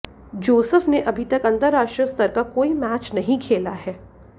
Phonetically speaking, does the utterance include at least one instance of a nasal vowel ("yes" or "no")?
yes